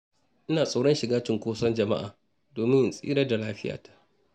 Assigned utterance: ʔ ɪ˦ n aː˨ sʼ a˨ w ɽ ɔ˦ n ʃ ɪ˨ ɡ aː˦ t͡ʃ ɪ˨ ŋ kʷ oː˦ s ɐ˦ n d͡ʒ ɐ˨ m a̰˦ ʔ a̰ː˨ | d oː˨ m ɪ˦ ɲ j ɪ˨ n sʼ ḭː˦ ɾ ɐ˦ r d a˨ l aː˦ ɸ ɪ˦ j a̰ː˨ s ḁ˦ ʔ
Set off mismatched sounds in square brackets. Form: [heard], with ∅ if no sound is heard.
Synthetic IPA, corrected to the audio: ʔ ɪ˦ n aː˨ sʼ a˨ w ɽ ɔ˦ n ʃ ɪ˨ ɡ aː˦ t͡ʃ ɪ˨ ŋ kʷ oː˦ s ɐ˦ n d͡ʒ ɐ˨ m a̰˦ ʔ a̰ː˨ | d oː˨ m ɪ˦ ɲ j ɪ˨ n sʼ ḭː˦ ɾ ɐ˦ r d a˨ l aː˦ ɸ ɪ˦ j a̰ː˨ [t] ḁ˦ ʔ

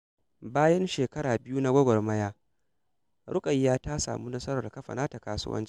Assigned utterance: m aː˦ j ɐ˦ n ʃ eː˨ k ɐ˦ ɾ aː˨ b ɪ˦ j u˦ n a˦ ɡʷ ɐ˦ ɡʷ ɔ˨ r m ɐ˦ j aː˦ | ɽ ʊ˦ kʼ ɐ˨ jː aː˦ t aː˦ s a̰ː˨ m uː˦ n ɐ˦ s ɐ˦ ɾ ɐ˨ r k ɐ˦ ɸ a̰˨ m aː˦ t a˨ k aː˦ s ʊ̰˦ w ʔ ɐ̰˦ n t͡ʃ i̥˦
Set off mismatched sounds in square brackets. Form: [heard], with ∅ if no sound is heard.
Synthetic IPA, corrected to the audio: [b] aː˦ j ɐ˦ n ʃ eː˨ k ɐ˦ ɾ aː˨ b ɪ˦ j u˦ n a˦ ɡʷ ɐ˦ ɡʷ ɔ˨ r m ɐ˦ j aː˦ | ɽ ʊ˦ kʼ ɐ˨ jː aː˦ t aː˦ s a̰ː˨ m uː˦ n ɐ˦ s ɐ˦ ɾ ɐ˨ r k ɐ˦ ɸ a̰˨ [n] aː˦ t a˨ k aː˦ s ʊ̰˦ w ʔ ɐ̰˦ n t͡ʃ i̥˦

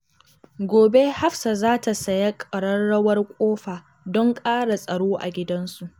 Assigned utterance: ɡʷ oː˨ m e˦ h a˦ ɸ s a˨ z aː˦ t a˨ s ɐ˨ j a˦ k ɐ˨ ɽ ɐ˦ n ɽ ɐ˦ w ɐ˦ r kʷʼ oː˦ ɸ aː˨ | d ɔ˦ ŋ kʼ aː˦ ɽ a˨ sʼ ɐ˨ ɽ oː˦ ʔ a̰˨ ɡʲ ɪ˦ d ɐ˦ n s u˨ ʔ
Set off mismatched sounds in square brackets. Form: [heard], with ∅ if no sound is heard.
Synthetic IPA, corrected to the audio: ɡʷ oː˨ [b] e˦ h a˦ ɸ s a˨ z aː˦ t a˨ s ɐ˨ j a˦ [kʼ] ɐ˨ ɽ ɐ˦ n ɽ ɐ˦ w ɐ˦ r kʷʼ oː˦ ɸ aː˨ | d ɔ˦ ŋ kʼ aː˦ ɽ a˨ sʼ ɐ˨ ɽ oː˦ ʔ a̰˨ ɡʲ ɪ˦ d ɐ˦ n s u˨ ʔ

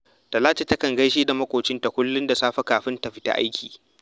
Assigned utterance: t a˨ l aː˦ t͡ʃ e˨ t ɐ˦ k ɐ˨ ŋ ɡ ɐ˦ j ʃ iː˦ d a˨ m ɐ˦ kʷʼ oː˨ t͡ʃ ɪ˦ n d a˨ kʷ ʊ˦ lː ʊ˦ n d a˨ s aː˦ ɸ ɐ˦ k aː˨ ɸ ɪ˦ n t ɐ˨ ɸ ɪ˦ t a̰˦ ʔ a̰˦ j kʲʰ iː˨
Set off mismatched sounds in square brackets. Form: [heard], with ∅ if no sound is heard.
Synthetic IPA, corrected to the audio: t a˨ l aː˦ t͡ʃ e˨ t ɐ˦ k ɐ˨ ŋ ɡ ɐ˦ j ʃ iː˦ d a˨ m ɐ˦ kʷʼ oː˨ t͡ʃ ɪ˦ n [t] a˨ kʷ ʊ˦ lː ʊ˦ n d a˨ s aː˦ ɸ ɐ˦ k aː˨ ɸ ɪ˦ n t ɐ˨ ɸ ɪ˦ t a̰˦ ʔ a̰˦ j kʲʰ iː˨

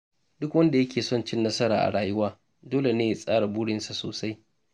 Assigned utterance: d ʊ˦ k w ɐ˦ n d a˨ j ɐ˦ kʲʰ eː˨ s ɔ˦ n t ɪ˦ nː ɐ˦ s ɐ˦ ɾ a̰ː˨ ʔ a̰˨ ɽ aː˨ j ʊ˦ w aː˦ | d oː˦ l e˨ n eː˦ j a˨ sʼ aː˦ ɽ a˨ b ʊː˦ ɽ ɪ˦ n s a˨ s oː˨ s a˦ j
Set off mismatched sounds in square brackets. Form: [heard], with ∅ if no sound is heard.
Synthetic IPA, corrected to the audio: d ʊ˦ k w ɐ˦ n d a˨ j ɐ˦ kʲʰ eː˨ s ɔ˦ n [t͡ʃ] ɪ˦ nː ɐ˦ s ɐ˦ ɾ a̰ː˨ ʔ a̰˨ ɽ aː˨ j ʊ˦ w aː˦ | d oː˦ l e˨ n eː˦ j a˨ sʼ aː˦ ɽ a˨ b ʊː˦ ɽ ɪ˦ n s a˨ s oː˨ s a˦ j

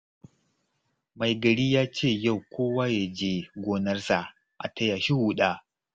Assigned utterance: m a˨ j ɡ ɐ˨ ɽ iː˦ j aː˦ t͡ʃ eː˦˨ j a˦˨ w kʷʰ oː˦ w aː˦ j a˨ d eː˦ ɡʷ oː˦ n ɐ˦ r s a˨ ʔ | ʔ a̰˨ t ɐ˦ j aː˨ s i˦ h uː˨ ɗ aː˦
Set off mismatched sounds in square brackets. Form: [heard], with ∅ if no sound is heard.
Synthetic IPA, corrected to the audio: m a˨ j ɡ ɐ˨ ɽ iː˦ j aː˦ t͡ʃ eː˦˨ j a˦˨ w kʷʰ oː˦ w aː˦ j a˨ [d͡ʒ] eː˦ ɡʷ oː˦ n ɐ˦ r s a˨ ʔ | ʔ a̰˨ t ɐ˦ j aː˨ [ʃ] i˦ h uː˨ ɗ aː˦

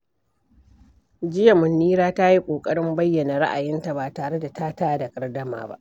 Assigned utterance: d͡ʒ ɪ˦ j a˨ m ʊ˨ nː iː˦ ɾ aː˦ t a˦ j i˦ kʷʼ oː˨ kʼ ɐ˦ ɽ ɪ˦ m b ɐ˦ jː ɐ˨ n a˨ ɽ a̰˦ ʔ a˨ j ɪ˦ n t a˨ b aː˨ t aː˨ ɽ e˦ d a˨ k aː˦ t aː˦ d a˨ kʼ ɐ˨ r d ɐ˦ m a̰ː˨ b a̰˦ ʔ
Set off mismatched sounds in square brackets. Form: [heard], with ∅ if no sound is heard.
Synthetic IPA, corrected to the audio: d͡ʒ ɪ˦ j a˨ m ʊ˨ nː iː˦ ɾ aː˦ t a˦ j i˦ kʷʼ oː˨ kʼ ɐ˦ ɽ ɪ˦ m b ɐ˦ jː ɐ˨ n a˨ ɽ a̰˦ ʔ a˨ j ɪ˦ n t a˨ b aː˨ t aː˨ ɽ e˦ d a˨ [t] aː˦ t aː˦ d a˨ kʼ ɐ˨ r d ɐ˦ m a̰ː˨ b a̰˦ ʔ

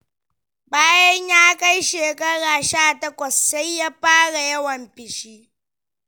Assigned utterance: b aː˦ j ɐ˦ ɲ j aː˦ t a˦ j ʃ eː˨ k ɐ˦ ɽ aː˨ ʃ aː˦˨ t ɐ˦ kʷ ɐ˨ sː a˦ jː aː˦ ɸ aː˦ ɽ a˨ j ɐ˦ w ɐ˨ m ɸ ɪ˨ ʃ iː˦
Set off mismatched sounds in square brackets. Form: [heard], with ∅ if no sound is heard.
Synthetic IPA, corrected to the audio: b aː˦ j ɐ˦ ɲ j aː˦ [k] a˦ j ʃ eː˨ k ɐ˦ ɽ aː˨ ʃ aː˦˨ t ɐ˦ kʷ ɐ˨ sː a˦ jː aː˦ ɸ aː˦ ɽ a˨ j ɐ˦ w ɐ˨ m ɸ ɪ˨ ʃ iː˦

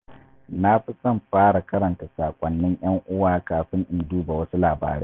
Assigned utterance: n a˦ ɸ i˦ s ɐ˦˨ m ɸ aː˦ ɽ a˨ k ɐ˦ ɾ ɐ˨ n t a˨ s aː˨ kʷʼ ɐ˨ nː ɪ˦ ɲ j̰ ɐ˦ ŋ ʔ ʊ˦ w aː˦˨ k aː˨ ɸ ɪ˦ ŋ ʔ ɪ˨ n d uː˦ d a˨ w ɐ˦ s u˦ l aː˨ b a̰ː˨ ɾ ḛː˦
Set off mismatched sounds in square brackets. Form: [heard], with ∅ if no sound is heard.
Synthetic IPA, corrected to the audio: n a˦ ɸ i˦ s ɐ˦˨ m ɸ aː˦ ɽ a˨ k ɐ˦ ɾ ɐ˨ n t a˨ s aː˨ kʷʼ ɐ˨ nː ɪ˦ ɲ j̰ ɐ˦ ŋ ʔ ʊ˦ w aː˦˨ k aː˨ ɸ ɪ˦ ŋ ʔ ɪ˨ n d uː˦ [b] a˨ w ɐ˦ s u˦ l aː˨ b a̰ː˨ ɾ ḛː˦

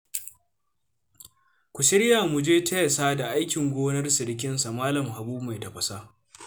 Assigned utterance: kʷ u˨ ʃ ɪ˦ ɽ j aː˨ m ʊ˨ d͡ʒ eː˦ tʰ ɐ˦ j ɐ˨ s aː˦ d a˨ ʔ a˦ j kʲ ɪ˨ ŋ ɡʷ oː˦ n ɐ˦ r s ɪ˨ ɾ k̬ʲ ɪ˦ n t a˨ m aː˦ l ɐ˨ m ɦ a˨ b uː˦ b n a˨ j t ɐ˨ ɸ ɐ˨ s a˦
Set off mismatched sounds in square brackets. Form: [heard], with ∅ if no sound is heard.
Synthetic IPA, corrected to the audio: kʷ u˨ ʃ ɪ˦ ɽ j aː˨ m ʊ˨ d͡ʒ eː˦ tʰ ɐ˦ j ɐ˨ s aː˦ d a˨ ʔ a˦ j kʲ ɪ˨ ŋ ɡʷ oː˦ n ɐ˦ r s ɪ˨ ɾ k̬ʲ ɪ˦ n [s] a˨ m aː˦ l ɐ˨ m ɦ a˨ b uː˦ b [m] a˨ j t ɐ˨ ɸ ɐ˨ s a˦

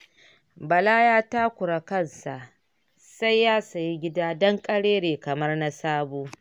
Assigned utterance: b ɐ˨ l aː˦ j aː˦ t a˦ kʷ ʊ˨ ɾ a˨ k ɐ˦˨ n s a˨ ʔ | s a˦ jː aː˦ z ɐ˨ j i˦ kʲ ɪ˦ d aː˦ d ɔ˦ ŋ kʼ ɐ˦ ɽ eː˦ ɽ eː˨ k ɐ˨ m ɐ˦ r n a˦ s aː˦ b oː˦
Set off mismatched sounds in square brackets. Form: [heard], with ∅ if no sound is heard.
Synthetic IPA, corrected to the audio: b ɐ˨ l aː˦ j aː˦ t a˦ kʷ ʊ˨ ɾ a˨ k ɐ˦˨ n s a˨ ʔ | s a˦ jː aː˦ [s] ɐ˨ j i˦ [ɡʲ] ɪ˦ d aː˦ d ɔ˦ ŋ kʼ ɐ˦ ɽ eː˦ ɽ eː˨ k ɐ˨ m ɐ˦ r n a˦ s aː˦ b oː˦

